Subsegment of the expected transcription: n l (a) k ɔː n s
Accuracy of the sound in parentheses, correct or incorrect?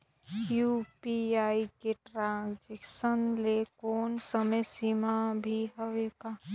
incorrect